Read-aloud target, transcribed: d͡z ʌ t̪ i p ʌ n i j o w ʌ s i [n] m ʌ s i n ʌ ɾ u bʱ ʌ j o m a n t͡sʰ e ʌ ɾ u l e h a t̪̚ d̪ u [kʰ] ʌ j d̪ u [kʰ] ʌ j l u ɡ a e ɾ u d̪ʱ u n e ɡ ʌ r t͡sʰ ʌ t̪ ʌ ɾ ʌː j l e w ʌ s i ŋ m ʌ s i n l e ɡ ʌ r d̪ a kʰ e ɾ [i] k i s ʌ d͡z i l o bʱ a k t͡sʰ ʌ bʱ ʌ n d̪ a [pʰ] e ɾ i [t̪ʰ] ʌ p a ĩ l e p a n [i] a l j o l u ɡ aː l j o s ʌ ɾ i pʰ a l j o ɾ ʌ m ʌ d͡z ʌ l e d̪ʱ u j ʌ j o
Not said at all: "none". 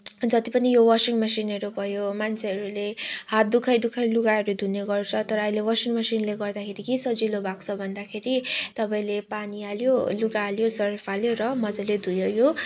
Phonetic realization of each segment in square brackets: ŋ, kʰ, kʰ, i, kʰ, t̪, i

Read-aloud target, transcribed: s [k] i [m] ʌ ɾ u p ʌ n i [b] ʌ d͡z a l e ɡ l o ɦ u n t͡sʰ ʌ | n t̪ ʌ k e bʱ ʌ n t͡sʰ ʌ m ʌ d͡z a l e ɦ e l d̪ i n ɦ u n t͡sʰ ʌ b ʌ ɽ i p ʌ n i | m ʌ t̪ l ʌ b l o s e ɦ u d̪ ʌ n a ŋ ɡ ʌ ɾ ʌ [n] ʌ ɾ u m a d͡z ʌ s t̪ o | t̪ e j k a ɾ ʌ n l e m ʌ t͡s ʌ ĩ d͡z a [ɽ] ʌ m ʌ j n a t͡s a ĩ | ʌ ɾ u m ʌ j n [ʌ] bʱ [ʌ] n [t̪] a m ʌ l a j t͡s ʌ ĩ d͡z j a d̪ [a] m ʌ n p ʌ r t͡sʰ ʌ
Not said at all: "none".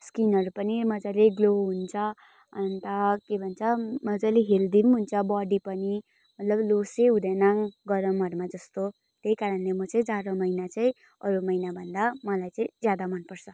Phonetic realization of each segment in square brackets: k, n, m, m, ɾ, a, ʌ, d̪, a

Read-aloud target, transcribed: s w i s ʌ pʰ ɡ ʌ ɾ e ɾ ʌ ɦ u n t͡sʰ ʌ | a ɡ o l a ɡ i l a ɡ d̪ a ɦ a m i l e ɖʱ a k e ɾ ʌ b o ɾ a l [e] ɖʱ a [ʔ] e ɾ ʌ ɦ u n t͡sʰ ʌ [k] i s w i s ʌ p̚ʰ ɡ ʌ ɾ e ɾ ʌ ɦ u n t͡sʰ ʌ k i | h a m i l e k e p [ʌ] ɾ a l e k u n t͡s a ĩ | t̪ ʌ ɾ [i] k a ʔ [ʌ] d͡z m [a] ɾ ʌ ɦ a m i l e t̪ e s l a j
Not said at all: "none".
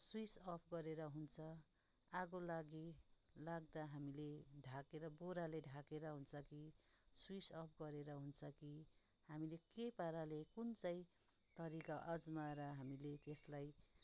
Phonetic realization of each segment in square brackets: e, k, k, a, i, ʌ, a

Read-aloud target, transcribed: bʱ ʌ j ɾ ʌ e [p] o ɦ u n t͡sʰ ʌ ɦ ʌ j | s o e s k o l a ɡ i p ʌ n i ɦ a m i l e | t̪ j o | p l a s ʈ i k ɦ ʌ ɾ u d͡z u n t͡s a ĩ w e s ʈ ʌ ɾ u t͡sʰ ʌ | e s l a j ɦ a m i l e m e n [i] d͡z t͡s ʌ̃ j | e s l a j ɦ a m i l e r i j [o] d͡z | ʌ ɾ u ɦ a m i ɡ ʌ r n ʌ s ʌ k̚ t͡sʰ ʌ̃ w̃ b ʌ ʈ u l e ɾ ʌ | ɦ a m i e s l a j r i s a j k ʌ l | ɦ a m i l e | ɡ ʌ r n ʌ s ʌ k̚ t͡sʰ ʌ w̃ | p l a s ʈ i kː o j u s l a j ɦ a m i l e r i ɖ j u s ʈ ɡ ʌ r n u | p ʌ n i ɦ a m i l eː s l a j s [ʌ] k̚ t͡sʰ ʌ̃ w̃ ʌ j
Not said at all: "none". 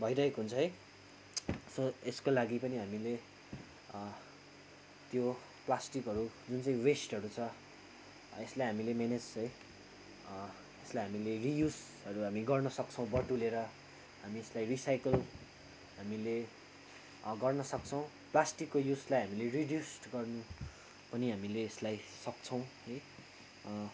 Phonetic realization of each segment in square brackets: k, e, u, ʌ

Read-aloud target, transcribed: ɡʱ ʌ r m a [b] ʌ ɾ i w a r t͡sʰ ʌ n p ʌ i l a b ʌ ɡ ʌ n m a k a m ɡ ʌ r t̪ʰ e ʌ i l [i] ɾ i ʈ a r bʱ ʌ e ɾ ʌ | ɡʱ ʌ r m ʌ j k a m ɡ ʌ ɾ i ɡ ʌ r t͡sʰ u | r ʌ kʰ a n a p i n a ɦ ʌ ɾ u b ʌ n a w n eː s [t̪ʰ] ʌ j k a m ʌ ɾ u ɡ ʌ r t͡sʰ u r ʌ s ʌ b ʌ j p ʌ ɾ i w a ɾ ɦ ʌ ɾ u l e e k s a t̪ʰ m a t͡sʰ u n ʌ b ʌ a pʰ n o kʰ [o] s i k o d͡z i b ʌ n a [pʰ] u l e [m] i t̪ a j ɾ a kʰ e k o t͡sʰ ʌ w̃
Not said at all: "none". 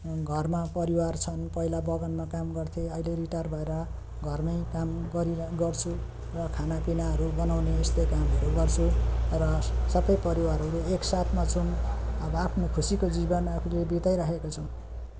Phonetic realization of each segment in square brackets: p, e, t̪, u, pʰ, b

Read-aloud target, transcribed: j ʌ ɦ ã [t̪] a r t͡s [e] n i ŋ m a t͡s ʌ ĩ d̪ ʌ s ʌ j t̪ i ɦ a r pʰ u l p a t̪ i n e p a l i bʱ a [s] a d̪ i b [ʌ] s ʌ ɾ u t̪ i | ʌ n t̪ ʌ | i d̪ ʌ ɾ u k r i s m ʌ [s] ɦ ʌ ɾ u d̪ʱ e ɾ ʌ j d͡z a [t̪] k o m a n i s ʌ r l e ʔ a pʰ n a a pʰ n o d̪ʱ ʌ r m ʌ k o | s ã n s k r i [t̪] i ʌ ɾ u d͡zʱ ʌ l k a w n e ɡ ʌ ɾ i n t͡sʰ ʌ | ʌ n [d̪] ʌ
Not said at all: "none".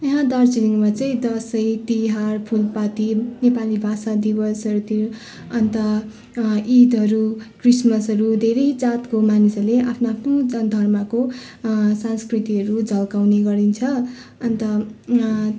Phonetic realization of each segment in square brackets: d̪, i, s, ʌ, s, t̪, t̪, t̪

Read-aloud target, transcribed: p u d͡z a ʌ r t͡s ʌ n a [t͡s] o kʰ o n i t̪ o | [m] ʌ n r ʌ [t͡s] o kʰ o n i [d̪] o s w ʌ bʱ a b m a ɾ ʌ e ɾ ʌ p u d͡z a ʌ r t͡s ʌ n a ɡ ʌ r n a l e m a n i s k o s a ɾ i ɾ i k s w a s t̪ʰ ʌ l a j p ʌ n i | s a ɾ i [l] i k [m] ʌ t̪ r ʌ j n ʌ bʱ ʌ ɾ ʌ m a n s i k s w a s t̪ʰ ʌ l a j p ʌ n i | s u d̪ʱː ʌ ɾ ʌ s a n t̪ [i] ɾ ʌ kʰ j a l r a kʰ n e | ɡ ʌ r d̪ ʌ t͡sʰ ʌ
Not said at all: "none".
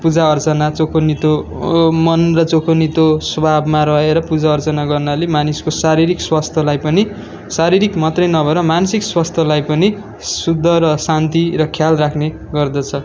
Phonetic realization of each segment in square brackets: t͡s, m, t͡s, t̪, ɾ, m, i

